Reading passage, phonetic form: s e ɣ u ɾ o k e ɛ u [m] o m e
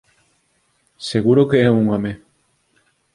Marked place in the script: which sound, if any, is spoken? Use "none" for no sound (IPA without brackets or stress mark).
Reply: ŋ